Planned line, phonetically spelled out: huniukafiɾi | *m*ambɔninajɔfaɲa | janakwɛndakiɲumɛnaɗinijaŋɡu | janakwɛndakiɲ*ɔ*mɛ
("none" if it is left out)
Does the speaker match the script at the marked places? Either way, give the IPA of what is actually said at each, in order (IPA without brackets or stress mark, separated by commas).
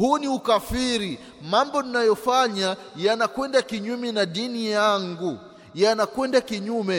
m, u